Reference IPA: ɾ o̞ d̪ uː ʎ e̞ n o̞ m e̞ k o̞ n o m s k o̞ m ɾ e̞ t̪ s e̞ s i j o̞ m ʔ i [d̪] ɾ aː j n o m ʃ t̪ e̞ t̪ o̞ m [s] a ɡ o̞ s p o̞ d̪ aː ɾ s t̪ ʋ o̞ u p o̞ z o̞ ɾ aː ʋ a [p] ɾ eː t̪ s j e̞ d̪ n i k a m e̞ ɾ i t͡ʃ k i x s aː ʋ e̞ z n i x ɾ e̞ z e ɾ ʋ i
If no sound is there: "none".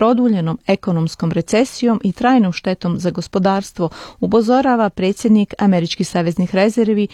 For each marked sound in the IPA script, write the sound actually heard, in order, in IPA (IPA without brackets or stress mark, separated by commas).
t̪, z, p